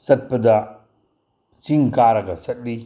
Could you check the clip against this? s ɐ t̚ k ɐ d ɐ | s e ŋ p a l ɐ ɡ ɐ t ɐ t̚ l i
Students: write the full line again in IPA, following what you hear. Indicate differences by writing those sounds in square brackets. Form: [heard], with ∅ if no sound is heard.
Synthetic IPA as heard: s ɐ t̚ [p] ɐ d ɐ | s [i] ŋ [k] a [ɾ] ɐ ɡ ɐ [s] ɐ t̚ l i